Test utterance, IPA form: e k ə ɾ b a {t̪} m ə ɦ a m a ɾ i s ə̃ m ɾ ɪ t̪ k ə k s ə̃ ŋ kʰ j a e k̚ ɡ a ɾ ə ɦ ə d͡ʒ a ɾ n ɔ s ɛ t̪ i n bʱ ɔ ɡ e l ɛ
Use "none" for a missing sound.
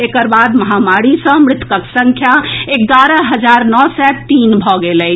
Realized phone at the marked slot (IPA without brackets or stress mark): d̪